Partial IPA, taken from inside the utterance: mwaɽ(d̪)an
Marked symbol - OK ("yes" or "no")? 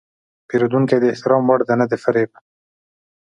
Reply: yes